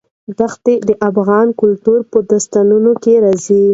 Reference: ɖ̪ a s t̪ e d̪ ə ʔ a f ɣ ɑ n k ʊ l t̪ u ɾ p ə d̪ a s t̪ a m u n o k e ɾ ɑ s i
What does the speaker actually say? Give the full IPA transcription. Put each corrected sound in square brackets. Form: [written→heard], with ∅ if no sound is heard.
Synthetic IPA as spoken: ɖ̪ a [s→x] t̪ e d̪ ə ʔ a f ɣ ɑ n k ʊ l t̪ u ɾ p ə d̪ a s t̪ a [m→n] u n o k e ɾ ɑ [s→z] i